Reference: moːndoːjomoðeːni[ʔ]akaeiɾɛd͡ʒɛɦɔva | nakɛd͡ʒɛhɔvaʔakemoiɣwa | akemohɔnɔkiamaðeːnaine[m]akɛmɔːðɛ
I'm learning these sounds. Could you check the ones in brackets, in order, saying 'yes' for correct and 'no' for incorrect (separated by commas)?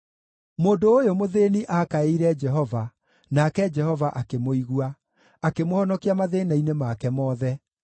yes, yes